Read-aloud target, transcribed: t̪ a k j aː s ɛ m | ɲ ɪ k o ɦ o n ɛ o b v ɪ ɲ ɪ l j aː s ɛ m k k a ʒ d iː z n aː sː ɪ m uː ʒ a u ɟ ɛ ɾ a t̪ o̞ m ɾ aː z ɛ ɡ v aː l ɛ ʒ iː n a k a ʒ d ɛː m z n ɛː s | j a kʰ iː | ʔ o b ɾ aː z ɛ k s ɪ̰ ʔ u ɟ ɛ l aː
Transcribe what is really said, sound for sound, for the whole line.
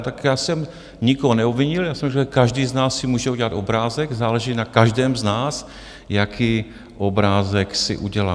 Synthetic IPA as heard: t̪ a k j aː s ɛ m | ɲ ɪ k o ɦ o n ɛ o b v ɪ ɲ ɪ l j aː s ɛ m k k a ʒ d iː z n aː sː ɪ m uː ʒ ɛ u ɟ ɛ l a t̪ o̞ b ɾ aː z ɛ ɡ z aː l ɛ ʒ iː n a k a ʒ d ɛː m z n aː s | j a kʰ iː | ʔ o b ɾ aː z ɛ k s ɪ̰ ʔ u ɟ ɛ l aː